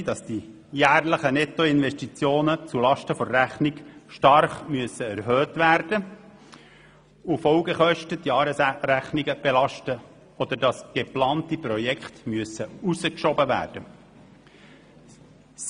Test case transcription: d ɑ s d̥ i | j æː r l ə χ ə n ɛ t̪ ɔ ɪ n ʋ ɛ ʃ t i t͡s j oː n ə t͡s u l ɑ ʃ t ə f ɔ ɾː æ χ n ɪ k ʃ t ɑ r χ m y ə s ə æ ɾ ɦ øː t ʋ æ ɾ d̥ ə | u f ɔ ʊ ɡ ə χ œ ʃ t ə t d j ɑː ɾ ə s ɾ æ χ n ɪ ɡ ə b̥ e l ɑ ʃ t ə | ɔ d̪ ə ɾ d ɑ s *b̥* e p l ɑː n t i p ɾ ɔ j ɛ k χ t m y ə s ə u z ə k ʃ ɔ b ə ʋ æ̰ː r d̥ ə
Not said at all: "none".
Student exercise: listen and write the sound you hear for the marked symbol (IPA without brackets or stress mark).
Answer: ɡ̥